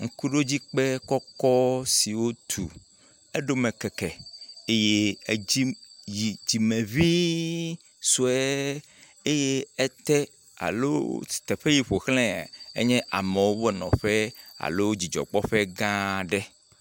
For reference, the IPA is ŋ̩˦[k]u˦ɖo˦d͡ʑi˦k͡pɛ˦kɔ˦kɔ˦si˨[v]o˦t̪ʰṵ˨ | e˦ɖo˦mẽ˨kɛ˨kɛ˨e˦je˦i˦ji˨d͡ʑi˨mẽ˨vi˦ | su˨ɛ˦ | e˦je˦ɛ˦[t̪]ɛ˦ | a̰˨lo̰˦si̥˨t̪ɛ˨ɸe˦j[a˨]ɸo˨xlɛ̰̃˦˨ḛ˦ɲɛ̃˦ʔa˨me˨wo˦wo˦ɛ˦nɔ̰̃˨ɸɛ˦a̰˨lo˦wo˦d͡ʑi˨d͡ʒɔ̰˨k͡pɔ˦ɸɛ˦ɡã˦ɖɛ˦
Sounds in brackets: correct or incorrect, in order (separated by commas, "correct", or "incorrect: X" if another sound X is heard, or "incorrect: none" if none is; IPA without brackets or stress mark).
correct, incorrect: w, correct, incorrect: i˨